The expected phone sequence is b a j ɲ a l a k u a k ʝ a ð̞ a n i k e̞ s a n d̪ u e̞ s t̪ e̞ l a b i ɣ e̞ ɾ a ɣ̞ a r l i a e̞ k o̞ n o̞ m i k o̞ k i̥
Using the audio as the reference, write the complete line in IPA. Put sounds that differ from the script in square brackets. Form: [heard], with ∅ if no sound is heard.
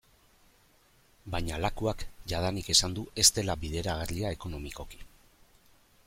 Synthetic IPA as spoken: b a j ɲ a l a k u a k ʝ a ð̞ a n i k e̞ s a n d̪ u e̞ s t̪ e̞ l a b i [ð] e̞ ɾ a ɣ̞ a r l i a e̞ k o̞ n o̞ m i k o̞ k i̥